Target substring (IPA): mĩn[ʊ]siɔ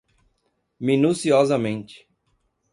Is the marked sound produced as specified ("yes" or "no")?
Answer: no